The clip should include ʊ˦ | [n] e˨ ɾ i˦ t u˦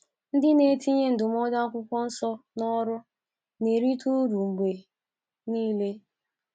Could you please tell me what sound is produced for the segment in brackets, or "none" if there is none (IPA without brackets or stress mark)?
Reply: n